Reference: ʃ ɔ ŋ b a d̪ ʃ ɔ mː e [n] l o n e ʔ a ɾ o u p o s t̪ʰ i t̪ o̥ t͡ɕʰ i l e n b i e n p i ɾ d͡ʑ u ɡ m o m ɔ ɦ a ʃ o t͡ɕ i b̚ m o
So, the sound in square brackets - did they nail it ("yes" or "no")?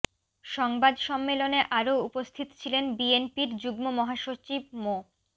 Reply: no